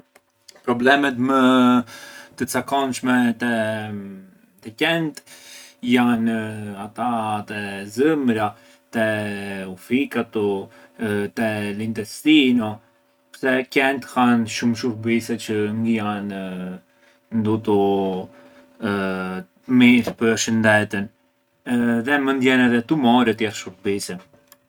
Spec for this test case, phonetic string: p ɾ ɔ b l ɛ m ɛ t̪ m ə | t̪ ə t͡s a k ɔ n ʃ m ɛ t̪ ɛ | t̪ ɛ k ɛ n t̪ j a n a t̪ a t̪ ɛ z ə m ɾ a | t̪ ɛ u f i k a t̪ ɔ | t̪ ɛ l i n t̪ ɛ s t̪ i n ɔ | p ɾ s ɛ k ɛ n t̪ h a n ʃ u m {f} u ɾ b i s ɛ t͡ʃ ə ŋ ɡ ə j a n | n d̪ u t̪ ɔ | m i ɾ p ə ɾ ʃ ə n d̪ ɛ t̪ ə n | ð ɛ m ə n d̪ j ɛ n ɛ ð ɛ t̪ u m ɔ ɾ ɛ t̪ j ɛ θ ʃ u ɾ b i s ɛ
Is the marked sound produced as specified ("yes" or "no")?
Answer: no